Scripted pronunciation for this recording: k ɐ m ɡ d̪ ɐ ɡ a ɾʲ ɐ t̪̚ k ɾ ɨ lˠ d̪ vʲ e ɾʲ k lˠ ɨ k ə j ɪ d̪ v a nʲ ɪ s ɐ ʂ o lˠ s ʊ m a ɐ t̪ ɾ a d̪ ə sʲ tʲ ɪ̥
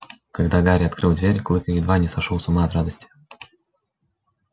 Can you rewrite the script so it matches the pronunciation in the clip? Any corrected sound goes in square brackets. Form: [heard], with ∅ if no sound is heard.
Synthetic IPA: k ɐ [∅] ɡ d̪ [a] ɡ a ɾʲ ɐ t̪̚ k ɾ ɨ lˠ d̪ vʲ e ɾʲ k lˠ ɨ k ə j ɪ d̪ v a nʲ ɪ s ɐ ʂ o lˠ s ʊ m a ɐ t̪ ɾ a d̪ ə sʲ tʲ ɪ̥